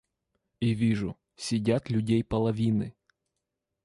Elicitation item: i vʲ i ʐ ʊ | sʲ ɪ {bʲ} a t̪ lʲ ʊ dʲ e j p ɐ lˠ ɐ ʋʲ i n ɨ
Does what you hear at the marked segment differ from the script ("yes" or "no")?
yes